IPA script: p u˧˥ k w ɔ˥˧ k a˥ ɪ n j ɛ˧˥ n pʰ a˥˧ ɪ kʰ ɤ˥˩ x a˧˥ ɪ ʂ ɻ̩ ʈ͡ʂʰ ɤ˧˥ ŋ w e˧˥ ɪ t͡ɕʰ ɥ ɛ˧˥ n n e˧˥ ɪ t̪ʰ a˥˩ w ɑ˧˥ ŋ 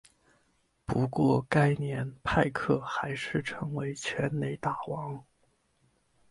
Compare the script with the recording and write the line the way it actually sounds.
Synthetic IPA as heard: p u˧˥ k w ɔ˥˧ k a˥ ɪ n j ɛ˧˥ n pʰ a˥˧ ɪ kʰ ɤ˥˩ x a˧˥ ɪ ʂ ɻ̩ ʈ͡ʂʰ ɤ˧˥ ŋ w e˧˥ ɪ t͡ɕʰ ɥ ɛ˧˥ n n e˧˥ ɪ t̪ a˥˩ w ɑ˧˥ ŋ

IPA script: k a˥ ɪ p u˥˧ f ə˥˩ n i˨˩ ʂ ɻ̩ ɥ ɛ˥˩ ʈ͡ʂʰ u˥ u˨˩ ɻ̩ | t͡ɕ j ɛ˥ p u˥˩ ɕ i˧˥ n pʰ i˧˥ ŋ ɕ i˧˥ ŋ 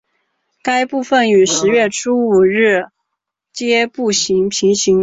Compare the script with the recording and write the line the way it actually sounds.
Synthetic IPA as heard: k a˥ ɪ p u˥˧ f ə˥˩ n y˨˩ ʂ ɻ̩ ɥ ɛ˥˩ ʈ͡ʂʰ u˥ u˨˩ ɻ̩ | t͡ɕ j ɛ˥ p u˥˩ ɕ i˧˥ ŋ pʰ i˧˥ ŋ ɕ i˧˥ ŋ

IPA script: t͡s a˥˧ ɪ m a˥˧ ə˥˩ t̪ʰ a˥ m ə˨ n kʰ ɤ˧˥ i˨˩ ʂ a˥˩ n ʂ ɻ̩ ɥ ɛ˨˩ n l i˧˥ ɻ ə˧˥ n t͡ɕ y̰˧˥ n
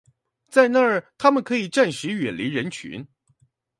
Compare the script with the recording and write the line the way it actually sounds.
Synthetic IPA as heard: t͡s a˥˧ ɪ n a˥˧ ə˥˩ t̪ʰ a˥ m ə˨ n kʰ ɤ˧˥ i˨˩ ʈ͡ʂ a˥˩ n ʂ ɻ̩ ɥ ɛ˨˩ n l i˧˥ ɻ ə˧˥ n t͡ɕʰ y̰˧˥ n

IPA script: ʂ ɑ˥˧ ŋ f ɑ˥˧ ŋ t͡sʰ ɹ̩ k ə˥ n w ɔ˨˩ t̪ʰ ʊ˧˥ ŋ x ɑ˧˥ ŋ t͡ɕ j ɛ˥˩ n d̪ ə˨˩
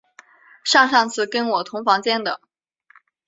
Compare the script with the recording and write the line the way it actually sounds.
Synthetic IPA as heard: ʂ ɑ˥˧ ŋ ʂ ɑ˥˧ ŋ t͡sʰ ɹ̩ k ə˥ n w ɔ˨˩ t̪ʰ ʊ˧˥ ŋ f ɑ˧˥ ŋ t͡ɕ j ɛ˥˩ n d̪ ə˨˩

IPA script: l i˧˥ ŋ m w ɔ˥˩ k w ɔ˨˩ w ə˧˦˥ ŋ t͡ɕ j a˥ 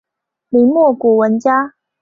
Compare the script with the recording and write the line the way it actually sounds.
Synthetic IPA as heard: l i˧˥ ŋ m w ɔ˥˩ k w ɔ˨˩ w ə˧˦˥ n t͡ɕ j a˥

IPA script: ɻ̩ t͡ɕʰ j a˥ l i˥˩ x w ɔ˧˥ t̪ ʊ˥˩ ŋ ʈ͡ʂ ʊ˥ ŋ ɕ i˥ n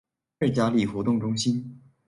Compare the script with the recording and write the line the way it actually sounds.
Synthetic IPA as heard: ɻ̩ t͡ɕ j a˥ l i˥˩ x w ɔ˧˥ t̪ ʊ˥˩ ŋ ʈ͡ʂ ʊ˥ ŋ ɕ i˥ n

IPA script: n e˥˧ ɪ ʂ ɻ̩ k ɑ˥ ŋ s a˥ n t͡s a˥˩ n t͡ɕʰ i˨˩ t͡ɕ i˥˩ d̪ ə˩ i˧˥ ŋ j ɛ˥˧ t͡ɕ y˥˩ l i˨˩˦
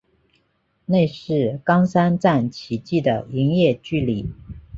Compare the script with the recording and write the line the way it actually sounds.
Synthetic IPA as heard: n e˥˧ ɪ ʂ ɻ̩ k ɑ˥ ŋ s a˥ n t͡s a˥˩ n t͡ɕʰ i˨˩ t͡ɕ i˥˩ d̪ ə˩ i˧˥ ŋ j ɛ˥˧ t͡ɕ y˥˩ l i˨˩˦

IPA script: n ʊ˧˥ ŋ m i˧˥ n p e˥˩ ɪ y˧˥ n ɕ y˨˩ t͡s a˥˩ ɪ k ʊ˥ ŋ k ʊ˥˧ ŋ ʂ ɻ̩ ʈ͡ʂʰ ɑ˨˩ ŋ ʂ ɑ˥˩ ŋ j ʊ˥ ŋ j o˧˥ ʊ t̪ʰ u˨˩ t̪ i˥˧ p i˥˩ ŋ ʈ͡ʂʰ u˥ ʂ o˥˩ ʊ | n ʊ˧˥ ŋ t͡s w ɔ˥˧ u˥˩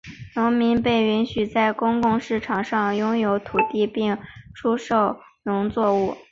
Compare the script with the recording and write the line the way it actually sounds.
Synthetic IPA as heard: n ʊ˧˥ ŋ m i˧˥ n p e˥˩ ɪ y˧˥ n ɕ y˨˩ t͡s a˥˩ ɪ k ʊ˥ ŋ k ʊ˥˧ ŋ ʂ ɻ̩ ʈ͡ʂʰ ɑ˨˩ ŋ ʂ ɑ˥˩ ŋ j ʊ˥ ŋ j o˧˥ ʊ t̪ʰ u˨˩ t̪ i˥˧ p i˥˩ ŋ ʈ͡ʂʰ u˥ ʂ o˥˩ ʊ | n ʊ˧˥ ŋ t͡s w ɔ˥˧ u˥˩

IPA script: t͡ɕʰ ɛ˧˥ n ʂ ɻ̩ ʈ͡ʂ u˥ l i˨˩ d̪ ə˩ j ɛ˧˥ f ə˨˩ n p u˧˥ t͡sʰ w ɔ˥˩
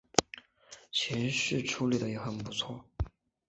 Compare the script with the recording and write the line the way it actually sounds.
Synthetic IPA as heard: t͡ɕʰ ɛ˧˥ n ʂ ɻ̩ ʈ͡ʂʰ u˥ l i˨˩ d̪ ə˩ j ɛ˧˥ x ə˨˩ n p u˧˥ t͡sʰ w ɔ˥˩

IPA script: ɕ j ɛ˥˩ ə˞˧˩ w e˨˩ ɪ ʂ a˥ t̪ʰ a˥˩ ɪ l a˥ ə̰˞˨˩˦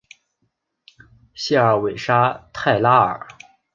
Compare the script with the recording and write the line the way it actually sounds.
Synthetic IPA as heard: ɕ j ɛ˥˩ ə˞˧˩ w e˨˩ ɪ ʂ a˥ t̪ʰ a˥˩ ɪ l a˥ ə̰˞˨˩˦

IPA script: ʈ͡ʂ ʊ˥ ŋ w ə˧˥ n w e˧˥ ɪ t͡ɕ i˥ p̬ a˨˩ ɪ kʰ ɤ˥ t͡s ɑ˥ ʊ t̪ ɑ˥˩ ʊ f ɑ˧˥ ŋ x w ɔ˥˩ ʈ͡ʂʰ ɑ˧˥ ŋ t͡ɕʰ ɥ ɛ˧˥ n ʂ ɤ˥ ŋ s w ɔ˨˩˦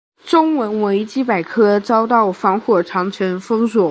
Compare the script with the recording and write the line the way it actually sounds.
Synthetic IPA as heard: ʈ͡ʂ ʊ˥ ŋ w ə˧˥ n w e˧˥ ɪ t͡ɕ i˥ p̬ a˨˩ ɪ kʰ ɤ˥ t͡s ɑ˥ ʊ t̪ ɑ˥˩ ʊ f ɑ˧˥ ŋ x w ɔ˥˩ ʈ͡ʂʰ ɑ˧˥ ŋ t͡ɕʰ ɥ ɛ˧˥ n f ɤ˥ ŋ s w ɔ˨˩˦

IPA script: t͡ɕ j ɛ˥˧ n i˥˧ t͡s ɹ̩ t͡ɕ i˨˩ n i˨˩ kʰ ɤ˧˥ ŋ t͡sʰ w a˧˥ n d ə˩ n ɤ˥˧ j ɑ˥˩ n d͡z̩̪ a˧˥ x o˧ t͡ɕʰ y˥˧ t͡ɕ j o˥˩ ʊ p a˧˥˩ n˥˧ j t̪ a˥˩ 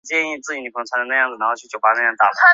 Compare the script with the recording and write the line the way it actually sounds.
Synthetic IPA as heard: t͡ɕ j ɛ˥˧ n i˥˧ t͡s ɹ̩ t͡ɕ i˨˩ n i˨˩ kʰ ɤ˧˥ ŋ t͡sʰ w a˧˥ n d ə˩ n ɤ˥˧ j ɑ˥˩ ŋ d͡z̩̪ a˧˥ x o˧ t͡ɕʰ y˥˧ t͡ɕ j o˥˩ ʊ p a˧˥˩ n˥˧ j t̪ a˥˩

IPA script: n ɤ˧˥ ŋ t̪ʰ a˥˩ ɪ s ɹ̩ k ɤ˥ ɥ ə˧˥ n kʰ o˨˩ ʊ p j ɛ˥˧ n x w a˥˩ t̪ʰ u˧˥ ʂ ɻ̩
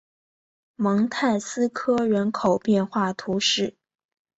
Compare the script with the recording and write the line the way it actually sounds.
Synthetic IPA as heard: m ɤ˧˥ ŋ t̪ʰ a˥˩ ɪ s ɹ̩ kʰ ɤ˥ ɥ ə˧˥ n kʰ o˨˩ ʊ p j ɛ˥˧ n x w a˥˩ t̪ʰ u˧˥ ʂ ɻ̩

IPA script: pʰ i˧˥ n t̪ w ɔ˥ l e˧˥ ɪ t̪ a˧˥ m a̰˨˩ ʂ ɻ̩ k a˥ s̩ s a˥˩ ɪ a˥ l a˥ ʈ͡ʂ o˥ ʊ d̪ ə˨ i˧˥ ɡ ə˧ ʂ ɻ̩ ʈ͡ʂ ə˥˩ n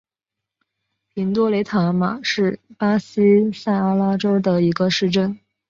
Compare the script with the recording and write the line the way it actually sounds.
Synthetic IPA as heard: pʰ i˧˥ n t̪ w ɔ˥ l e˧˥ ɪ t̪ʰ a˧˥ m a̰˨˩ ʂ ɻ̩ p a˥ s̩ s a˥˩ ɪ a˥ l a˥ ʈ͡ʂ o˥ ʊ d̪ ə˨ i˧˥ ɡ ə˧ ʂ ɻ̩ ʈ͡ʂ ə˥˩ n

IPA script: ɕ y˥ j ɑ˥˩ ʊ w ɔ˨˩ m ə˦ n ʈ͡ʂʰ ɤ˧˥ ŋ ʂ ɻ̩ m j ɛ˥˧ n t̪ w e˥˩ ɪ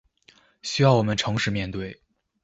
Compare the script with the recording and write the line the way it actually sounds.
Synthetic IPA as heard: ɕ y˥ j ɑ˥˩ ʊ w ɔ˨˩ m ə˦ n ʈ͡ʂʰ ɤ˧˥ ŋ ʂ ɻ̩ m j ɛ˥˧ n t̪ w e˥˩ ɪ

